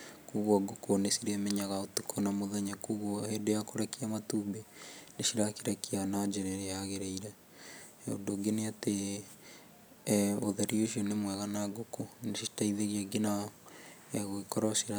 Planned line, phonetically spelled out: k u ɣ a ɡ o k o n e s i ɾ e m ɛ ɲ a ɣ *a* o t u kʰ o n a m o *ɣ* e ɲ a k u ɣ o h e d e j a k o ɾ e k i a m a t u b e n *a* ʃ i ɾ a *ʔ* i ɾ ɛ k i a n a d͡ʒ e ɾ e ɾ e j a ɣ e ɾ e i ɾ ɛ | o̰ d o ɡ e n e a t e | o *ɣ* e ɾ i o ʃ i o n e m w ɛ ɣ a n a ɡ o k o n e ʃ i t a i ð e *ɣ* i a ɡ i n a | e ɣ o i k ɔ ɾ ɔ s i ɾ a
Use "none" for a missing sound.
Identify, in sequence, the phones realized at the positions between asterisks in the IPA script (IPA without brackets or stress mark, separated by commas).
a, ð, e, k, ð, ɣ